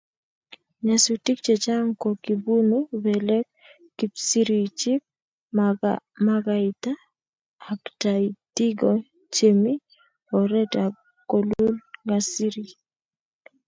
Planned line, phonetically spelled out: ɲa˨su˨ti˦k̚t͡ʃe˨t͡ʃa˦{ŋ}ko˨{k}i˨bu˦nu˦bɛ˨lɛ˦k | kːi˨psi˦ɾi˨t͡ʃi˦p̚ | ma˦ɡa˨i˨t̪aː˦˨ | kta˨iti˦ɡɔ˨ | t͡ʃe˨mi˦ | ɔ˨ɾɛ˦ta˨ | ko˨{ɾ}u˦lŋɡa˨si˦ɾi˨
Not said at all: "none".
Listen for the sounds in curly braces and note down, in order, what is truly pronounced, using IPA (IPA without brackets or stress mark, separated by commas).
ŋ, k, l